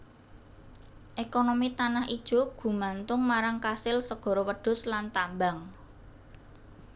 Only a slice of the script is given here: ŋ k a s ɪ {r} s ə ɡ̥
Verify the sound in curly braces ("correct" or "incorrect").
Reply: incorrect